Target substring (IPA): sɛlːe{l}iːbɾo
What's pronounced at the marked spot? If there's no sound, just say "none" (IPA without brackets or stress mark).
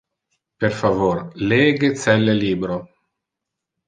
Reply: l